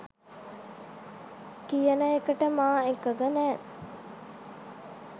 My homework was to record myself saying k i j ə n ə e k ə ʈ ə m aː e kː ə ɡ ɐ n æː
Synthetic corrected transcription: k i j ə n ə e k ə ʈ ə m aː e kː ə ɡ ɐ n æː